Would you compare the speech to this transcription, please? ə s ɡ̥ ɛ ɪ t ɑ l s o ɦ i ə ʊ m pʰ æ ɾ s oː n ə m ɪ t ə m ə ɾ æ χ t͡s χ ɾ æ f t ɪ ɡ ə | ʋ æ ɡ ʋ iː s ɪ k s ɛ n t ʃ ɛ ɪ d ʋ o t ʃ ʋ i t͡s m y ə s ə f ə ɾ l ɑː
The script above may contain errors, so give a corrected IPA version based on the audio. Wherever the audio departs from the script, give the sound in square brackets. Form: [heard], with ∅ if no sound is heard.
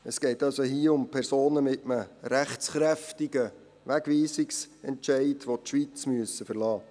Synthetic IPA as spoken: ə s ɡ̥ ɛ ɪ t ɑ l s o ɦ i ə ʊ m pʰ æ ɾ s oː n ə m ɪ t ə m ə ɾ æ χ t͡s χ ɾ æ f t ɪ ɡ ə | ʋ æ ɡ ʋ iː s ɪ k s ɛ n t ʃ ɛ ɪ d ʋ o t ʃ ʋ i t͡s m y ə s ə f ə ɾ l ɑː